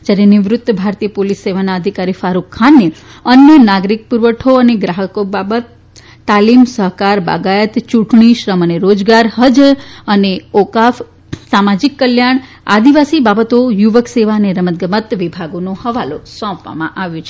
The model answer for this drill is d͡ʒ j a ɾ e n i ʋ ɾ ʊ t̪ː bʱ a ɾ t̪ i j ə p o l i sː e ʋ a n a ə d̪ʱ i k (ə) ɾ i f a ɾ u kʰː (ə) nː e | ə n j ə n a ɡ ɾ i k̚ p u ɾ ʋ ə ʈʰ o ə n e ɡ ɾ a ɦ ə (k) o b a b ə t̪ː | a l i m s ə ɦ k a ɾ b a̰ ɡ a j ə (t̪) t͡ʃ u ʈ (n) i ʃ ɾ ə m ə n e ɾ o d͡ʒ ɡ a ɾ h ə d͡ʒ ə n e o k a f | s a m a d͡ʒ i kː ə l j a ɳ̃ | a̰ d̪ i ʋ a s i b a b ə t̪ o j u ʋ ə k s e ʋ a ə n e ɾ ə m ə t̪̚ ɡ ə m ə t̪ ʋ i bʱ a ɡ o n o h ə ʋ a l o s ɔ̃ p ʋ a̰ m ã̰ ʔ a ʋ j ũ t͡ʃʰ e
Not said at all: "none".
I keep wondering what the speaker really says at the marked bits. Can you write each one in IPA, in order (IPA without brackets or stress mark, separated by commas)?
a, a, k, t̪, ɳ